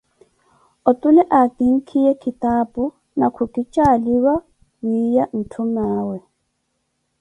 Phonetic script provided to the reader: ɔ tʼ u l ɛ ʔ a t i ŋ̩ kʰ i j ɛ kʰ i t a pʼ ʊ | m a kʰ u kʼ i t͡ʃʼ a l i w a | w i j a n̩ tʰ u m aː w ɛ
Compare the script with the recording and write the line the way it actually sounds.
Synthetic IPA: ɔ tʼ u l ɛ ʔ a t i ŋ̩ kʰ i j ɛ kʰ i t a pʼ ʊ | n a kʰ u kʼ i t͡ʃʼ a l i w a | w i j a n̩ tʰ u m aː w ɛ